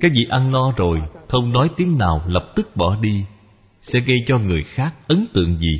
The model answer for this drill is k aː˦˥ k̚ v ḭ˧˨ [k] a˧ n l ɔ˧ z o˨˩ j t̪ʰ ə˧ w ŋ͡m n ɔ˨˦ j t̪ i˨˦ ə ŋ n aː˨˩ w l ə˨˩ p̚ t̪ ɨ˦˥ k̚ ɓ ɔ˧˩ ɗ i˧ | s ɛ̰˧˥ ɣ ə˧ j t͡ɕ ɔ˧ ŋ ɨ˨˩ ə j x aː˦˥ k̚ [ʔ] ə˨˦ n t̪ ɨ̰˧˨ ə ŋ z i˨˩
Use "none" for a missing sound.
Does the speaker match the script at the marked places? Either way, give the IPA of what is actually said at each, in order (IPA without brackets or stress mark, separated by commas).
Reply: ʔ, ʔ